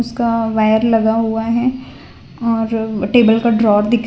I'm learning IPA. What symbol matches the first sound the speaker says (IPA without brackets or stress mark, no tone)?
ʊ